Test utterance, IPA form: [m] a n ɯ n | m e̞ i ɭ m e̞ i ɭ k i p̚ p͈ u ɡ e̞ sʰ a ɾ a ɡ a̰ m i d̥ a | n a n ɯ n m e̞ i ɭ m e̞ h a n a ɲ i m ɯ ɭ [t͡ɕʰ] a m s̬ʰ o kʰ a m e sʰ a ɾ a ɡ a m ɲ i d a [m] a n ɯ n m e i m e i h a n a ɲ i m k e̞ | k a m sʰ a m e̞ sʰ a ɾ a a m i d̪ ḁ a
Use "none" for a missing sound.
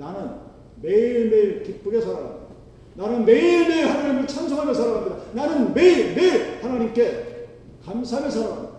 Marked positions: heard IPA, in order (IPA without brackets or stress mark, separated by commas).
n, t͡ɕʰ, n